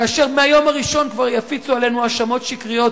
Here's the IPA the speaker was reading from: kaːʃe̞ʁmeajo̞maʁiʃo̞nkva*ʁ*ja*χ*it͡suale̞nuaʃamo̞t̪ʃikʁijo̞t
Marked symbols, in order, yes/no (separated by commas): yes, no